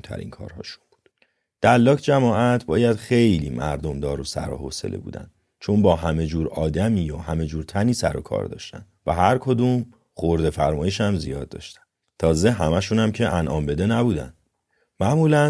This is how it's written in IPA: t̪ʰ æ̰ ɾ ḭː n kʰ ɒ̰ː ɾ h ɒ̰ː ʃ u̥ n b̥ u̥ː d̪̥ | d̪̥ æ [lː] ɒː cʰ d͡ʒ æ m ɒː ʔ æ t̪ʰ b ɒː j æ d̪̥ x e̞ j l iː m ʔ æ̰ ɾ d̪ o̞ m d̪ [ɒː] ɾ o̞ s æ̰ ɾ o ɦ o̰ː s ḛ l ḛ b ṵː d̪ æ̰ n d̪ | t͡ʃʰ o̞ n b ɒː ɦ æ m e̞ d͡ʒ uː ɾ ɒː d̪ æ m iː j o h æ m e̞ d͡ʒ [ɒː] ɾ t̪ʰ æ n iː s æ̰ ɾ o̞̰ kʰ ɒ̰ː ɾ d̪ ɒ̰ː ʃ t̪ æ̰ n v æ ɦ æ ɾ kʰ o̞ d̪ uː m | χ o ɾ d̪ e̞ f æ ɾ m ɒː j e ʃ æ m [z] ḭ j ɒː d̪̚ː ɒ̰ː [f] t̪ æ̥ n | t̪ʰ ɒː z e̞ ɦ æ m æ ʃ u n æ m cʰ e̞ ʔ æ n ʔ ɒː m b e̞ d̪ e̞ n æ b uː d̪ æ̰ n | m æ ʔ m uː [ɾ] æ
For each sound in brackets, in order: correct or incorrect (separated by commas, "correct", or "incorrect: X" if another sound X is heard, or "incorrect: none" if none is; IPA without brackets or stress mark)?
correct, correct, incorrect: uː, correct, incorrect: ʃ, incorrect: l